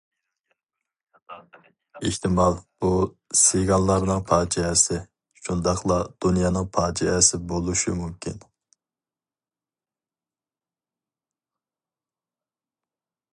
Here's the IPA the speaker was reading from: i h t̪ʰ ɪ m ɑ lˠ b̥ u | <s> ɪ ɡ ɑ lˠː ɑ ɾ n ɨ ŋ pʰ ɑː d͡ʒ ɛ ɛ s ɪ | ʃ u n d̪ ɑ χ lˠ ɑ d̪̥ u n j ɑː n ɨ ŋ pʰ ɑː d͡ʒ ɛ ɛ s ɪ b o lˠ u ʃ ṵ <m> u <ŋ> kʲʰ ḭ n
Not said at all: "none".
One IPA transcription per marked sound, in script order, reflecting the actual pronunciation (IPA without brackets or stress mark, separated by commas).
s, m, m